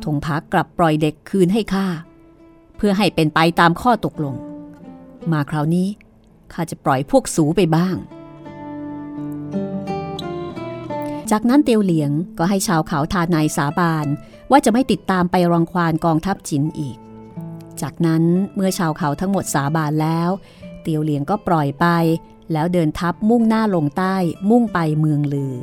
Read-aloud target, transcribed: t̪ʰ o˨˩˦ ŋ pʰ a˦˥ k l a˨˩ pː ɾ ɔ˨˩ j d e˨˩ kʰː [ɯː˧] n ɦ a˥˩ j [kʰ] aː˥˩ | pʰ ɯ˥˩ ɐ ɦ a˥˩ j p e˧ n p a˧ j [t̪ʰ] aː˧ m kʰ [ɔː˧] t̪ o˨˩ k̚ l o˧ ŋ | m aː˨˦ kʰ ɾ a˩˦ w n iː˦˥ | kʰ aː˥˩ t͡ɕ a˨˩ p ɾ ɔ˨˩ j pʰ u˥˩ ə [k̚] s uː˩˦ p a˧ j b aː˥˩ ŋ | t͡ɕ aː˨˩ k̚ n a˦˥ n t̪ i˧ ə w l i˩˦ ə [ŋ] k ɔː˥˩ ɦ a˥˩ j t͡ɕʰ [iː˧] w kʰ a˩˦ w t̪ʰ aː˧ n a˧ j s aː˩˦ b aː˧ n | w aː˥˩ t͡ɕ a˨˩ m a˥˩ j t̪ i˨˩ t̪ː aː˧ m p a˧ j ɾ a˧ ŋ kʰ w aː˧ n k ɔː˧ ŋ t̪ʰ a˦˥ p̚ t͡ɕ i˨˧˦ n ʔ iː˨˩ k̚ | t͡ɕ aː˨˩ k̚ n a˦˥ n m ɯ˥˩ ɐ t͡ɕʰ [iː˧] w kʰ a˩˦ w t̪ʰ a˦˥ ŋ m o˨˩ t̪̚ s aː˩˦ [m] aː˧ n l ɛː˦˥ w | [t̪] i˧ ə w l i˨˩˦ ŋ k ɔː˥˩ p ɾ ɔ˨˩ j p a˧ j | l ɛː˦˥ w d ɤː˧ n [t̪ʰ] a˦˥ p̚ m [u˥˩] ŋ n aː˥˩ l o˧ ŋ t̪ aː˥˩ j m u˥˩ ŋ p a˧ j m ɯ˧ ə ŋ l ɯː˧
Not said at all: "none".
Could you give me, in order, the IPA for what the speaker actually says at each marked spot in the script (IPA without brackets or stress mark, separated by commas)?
ɯː˧, kʰ, t̪, ɔː˥˩, k̚, ŋ, aː˧, aː˧, b, t̪, t̪ʰ, u˥˩